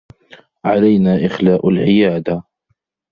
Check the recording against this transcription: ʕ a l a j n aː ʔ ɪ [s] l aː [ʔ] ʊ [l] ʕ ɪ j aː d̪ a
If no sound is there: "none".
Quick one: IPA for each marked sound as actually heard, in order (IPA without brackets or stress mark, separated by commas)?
x, ʔ, l